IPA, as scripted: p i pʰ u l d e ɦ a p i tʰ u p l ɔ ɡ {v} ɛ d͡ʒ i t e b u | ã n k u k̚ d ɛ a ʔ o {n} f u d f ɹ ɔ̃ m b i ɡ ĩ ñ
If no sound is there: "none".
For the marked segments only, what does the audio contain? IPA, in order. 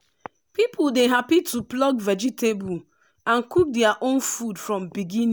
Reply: v, n

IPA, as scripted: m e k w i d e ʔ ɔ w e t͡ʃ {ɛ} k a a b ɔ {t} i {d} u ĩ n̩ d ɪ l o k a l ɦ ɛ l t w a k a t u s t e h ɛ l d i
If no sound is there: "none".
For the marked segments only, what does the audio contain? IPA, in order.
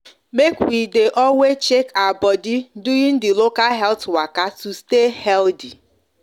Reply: e, d, d

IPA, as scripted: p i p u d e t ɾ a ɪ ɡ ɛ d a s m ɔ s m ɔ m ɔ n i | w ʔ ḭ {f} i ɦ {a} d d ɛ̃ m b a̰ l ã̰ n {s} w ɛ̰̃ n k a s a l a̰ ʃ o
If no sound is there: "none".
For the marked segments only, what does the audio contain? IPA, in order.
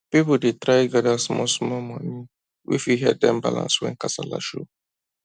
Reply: f, ɛ, s

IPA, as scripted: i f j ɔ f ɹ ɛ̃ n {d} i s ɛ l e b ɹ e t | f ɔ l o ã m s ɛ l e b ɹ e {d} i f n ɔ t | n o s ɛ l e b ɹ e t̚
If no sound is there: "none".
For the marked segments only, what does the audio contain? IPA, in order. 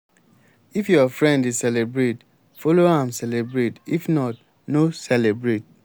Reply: d, t

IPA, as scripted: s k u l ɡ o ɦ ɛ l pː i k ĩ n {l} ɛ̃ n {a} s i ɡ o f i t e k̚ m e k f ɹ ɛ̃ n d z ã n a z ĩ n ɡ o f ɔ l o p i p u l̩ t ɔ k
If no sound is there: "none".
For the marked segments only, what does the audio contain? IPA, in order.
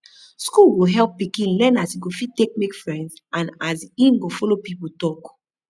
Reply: l, a

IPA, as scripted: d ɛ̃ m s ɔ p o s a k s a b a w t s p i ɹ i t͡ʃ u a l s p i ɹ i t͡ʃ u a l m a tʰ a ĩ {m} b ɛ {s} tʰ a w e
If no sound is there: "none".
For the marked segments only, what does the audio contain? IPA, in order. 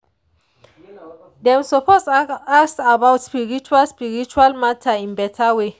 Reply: n, none

